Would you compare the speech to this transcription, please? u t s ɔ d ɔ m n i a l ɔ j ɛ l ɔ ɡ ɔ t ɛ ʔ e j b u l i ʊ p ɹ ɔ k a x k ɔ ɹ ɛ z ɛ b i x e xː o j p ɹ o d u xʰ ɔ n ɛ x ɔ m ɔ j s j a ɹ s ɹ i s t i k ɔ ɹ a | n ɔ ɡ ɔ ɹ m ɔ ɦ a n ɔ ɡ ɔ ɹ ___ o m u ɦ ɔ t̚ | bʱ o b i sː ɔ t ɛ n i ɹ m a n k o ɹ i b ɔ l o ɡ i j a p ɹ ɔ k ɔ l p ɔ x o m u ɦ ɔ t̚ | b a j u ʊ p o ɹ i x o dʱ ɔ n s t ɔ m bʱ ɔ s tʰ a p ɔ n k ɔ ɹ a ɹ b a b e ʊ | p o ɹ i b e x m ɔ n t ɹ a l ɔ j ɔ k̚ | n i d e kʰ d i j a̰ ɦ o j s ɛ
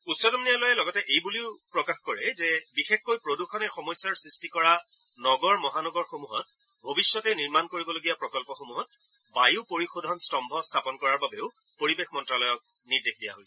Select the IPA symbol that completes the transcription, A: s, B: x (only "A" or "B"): B